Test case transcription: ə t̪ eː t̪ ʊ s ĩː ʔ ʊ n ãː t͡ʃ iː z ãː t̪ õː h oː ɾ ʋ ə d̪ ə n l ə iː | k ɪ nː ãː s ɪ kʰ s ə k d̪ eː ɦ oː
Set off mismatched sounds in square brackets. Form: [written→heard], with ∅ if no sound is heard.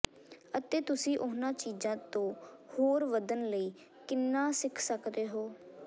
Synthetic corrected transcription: ə t̪ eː t̪ ʊ s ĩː ʔ ʊ n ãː t͡ʃ iː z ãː t̪ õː h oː ɾ ʋ ə d̪ ə n l ə iː | k ɪ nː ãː s ɪ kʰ s ə k d̪ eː ɦ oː